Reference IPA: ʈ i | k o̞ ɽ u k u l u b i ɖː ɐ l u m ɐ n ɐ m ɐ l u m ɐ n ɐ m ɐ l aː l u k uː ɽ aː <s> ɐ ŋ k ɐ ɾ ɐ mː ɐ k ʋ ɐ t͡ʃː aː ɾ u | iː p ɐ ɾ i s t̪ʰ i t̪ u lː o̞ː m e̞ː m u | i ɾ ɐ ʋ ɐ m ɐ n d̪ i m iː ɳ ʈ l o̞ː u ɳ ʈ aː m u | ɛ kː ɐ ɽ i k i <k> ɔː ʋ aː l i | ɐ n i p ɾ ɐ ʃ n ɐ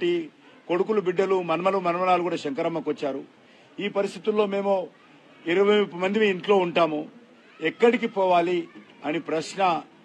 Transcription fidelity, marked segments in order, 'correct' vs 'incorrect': incorrect: ʃ, incorrect: p

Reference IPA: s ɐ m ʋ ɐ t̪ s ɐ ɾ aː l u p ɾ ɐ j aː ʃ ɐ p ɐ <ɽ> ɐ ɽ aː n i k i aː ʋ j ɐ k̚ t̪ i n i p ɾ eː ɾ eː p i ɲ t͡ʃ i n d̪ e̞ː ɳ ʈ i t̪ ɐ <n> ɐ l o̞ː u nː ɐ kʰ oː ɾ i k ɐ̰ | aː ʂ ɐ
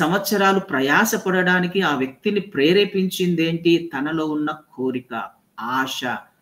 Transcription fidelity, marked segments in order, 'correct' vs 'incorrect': correct, correct

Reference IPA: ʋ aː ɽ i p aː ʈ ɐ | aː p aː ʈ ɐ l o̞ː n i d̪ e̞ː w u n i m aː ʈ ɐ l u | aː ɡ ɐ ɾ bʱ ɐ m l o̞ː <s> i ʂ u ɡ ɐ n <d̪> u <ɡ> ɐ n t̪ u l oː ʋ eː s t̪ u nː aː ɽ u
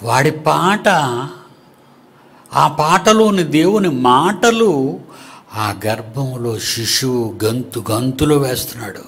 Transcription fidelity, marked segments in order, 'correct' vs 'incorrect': incorrect: ʃ, incorrect: t̪, correct

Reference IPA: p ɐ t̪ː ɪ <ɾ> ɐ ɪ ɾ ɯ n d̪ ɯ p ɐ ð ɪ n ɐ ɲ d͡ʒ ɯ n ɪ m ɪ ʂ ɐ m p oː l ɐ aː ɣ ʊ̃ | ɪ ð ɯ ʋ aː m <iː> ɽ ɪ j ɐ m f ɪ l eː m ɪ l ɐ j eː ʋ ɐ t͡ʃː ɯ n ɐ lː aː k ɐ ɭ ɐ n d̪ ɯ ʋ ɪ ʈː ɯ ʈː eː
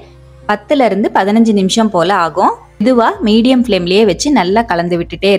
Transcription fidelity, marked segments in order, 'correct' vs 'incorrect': incorrect: l, correct

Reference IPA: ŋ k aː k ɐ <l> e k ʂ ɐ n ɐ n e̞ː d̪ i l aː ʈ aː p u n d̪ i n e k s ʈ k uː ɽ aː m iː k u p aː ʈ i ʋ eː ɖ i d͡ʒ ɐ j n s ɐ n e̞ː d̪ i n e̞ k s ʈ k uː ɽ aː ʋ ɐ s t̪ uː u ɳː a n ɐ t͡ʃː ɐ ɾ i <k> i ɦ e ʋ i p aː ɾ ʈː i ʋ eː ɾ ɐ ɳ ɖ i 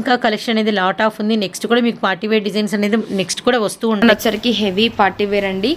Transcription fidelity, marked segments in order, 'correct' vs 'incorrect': correct, correct

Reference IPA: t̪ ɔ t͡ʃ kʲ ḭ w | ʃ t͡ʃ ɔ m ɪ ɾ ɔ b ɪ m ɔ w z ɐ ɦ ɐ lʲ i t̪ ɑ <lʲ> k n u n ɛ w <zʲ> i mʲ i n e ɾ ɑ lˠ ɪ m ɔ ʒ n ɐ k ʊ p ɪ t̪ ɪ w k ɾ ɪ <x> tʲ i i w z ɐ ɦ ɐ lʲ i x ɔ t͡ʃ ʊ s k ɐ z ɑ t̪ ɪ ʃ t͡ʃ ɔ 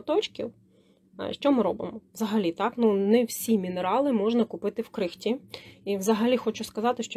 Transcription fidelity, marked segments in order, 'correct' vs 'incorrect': incorrect: none, incorrect: sʲ, correct

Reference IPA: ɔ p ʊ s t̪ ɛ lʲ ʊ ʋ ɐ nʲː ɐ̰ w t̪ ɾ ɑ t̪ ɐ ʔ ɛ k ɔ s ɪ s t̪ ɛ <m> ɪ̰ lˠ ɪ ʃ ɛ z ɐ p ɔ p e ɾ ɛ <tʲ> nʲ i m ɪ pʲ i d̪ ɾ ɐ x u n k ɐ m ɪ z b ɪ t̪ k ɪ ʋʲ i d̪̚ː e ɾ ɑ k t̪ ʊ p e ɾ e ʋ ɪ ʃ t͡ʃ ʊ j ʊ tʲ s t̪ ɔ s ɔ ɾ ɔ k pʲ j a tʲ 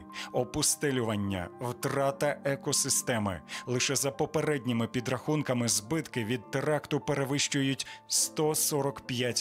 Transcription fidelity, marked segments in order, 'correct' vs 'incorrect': correct, incorrect: dʲ

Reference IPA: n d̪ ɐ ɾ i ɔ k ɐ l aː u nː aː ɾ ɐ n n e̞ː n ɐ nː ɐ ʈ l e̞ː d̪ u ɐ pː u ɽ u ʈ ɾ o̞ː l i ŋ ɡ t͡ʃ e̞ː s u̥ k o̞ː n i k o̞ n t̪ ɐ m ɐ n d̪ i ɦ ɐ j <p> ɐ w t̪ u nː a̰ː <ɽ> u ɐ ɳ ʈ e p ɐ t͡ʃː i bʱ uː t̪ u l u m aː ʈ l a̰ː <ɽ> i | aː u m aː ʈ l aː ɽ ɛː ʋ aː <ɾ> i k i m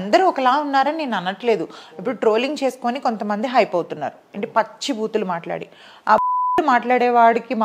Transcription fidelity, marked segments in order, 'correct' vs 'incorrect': correct, incorrect: ɾ, correct, incorrect: ɽ

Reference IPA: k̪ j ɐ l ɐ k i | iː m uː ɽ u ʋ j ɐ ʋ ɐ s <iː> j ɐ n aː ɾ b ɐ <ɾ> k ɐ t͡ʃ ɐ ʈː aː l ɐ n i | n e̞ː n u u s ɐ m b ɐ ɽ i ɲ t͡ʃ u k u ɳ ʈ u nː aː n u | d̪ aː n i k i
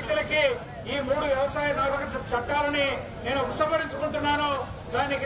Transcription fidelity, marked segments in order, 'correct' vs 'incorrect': incorrect: aː, incorrect: none

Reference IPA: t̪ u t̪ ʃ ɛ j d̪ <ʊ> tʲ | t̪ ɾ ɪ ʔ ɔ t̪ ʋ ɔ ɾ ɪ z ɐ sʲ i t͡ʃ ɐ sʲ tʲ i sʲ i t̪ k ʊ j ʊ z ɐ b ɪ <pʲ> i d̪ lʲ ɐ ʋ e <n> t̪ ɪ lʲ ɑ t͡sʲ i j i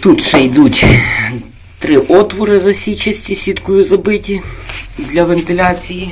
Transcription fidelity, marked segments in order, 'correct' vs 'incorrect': incorrect: u, incorrect: tʲ, correct

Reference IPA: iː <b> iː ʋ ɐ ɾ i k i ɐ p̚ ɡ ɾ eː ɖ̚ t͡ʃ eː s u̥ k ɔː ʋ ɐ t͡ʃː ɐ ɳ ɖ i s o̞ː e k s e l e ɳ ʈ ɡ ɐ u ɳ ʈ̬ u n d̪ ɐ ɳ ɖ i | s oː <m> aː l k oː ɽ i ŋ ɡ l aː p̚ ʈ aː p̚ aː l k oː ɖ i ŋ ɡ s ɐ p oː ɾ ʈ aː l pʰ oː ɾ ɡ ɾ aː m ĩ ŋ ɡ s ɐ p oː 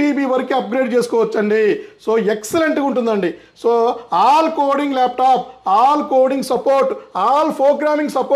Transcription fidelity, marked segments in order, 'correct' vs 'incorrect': correct, incorrect: none

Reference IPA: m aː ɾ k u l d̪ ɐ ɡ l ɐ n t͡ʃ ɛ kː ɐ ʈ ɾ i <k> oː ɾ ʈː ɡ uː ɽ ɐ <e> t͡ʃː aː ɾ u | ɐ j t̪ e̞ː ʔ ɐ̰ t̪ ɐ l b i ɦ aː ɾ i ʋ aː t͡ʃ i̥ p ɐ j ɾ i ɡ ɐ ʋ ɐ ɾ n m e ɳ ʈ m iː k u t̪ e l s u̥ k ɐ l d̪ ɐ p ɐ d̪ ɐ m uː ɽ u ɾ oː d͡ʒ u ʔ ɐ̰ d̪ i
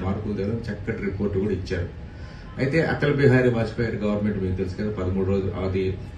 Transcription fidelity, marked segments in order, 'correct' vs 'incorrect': incorrect: p, incorrect: i

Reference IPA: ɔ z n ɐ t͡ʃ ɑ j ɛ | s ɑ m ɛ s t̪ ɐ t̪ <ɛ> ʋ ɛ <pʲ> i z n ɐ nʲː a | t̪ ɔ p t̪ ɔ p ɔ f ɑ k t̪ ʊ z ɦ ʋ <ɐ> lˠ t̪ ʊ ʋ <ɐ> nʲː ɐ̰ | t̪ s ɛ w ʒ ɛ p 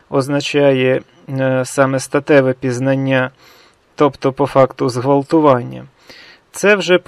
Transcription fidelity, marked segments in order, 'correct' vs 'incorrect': correct, correct, correct, incorrect: ɑ

